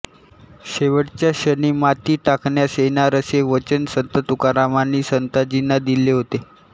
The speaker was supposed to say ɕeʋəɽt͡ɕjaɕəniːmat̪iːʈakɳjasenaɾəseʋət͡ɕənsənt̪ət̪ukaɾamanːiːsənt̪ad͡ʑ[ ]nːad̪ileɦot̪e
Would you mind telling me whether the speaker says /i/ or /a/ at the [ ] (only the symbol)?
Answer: i